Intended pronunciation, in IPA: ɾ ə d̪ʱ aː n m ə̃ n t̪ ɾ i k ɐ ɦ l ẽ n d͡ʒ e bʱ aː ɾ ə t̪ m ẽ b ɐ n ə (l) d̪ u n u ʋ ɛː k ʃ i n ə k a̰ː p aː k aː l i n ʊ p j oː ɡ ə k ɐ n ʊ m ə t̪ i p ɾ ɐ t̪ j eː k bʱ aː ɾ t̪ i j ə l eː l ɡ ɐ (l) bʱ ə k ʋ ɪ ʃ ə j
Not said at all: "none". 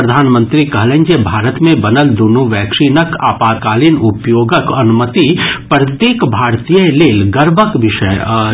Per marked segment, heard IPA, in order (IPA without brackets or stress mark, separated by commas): l, ɾ